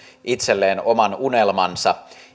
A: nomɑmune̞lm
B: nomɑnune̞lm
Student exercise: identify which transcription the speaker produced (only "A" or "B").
B